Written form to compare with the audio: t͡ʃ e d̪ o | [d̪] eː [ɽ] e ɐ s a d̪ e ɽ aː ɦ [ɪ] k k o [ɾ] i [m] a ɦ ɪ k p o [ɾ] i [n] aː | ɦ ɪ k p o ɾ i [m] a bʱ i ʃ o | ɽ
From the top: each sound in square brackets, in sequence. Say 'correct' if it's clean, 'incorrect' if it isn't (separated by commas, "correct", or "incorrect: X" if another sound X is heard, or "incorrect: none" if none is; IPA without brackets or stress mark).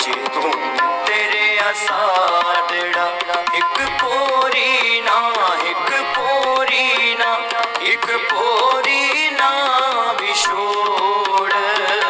incorrect: t̪, incorrect: ɾ, correct, correct, incorrect: n, correct, correct, incorrect: n